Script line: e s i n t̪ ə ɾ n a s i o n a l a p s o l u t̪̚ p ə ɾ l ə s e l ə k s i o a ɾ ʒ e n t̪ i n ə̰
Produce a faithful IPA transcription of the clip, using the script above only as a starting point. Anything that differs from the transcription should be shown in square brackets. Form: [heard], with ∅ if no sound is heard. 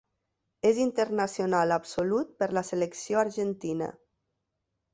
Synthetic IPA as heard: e [z] i n t̪ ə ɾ n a s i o n a l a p s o l u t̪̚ p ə ɾ l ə s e l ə k s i o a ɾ ʒ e n t̪ i n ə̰